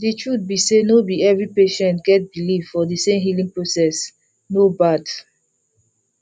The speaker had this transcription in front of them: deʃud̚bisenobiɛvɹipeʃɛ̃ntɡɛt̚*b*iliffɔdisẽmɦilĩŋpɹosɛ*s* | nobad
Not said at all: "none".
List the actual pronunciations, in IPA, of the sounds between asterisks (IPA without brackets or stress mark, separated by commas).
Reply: b, s